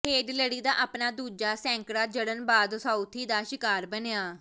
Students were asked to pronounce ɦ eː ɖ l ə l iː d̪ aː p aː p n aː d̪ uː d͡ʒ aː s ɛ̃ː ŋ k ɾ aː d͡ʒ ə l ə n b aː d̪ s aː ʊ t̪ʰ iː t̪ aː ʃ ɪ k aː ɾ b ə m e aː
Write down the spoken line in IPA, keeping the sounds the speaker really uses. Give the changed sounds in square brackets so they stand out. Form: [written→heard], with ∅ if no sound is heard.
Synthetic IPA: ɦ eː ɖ l ə [l→ɽ] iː d̪ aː [p→ʔ] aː p n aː d̪ uː d͡ʒ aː s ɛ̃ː ŋ k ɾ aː d͡ʒ ə [l→ɽ] ə n b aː d̪ s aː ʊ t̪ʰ iː [t̪→d̪] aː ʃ ɪ k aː ɾ b ə [m→n] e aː